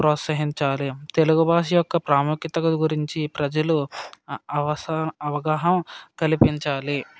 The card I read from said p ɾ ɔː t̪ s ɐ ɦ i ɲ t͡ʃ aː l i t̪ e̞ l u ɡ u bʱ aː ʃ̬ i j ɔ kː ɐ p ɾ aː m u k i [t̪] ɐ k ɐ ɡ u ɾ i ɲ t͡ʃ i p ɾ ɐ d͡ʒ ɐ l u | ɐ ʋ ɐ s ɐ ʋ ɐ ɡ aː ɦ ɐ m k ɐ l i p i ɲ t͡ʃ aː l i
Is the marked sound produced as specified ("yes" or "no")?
yes